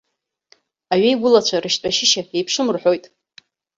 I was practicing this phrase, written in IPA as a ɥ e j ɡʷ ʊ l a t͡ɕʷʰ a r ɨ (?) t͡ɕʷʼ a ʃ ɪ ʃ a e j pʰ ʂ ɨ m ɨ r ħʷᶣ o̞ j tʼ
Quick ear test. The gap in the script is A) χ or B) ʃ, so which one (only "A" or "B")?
B